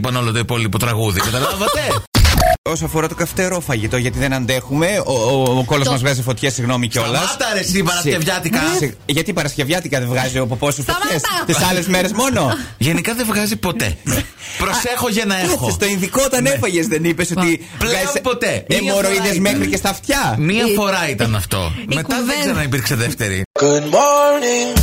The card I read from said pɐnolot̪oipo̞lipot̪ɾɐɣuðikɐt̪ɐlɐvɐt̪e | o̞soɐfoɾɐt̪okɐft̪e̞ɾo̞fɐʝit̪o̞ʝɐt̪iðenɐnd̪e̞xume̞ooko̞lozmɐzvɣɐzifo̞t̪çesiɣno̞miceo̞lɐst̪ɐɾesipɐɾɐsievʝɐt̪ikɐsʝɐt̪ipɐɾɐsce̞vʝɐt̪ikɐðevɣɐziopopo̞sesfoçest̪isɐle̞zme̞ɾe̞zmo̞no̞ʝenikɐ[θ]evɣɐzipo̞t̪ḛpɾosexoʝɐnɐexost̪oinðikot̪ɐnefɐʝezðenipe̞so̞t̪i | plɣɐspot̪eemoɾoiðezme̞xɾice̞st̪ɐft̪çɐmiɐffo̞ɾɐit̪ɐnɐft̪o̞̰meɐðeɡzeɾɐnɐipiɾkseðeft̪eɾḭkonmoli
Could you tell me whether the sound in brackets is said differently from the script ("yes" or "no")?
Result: yes